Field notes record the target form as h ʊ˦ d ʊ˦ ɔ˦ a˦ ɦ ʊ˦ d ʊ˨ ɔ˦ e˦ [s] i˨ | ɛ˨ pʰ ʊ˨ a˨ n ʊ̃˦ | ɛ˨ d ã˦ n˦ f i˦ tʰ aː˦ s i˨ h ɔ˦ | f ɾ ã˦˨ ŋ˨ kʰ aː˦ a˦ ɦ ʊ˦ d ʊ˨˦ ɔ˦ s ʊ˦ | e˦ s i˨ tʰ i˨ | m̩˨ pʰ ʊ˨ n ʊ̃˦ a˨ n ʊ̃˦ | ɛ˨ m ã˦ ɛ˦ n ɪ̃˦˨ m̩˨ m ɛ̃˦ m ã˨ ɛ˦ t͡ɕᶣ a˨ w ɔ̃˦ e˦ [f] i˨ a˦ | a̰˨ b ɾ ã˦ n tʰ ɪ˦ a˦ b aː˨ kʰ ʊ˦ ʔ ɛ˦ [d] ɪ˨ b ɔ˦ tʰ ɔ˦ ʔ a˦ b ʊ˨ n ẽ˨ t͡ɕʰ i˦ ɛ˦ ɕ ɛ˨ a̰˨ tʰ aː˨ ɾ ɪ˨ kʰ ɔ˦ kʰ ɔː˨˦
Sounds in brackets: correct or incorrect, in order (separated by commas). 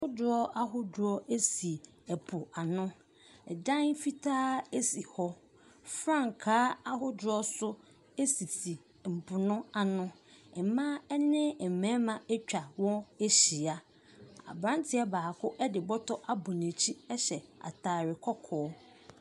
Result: correct, incorrect, correct